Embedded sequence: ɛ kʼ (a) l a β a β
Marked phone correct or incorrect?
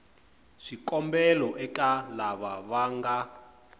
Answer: correct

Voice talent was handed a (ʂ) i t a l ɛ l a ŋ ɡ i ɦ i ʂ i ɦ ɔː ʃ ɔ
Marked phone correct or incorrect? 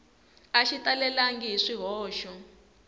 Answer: incorrect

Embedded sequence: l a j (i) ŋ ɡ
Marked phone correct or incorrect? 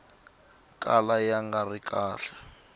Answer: incorrect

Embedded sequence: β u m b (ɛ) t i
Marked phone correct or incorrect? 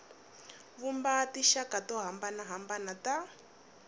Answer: incorrect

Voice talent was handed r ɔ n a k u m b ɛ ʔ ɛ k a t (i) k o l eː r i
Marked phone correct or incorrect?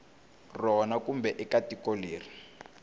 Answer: correct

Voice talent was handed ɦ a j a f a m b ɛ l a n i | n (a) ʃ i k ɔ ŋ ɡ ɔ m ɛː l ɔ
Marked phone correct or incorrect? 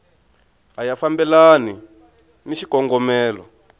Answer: incorrect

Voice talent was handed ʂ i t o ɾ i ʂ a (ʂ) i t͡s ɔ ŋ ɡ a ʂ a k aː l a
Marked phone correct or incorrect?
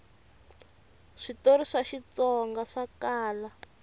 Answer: incorrect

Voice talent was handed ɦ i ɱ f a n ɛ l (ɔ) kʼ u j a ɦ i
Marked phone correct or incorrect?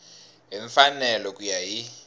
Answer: correct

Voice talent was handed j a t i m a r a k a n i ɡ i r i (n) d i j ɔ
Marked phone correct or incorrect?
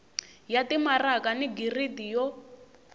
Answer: incorrect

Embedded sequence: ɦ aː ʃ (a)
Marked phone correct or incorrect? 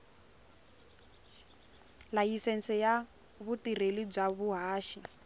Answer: incorrect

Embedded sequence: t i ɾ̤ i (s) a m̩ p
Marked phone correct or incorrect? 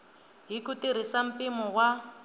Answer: correct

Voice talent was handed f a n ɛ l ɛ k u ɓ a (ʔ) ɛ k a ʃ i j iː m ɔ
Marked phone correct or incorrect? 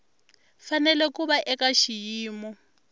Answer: correct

